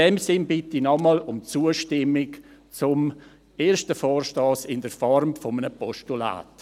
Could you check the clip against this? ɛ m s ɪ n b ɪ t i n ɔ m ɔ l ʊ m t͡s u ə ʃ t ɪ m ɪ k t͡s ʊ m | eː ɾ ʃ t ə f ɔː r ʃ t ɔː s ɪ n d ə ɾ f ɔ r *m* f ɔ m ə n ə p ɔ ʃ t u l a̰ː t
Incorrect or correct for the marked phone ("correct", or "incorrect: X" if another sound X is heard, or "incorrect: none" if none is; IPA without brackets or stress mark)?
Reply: correct